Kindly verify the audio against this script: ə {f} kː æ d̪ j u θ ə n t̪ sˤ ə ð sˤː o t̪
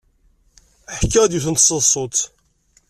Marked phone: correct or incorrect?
incorrect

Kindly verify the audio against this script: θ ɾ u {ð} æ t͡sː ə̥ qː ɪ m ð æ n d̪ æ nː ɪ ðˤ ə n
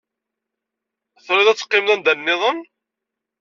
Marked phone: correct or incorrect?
correct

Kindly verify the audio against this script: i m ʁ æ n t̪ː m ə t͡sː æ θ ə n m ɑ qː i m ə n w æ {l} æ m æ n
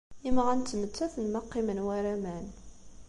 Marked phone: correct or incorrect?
incorrect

